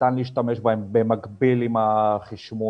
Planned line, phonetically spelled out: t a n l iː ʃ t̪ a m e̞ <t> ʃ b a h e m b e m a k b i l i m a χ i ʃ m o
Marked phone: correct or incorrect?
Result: incorrect